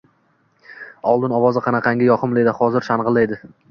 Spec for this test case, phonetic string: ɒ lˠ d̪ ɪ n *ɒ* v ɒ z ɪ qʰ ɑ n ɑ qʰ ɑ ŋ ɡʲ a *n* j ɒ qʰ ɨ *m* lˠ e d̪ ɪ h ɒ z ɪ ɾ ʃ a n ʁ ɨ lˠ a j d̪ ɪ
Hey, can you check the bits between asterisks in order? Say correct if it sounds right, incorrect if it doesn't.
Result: correct, incorrect: none, correct

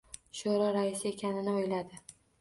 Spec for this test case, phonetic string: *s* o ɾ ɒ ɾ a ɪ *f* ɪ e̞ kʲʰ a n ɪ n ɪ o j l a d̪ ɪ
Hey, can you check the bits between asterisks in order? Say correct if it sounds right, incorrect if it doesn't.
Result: incorrect: ʃ, incorrect: s

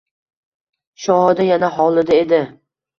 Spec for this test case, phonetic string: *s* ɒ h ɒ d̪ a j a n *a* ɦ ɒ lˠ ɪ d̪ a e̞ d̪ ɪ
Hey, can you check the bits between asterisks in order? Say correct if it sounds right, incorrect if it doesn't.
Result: incorrect: ʃ, correct

